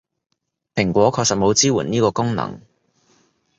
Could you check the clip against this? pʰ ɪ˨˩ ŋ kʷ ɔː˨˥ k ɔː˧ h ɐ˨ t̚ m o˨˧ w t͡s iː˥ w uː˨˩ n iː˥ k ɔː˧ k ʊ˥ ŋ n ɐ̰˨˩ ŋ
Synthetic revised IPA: pʰ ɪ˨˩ ŋ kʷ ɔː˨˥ kʰ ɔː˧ s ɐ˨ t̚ m o˨˧ w t͡s iː˥ w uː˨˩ n iː˥ k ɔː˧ k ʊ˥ ŋ n ɐ̰˨˩ ŋ